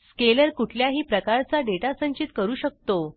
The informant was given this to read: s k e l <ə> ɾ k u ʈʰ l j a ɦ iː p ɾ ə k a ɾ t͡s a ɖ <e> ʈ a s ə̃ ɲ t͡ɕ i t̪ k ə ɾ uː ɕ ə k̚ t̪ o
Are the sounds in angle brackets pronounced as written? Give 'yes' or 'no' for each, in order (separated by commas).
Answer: yes, yes